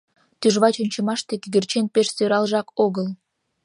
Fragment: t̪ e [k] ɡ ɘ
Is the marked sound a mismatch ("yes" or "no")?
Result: no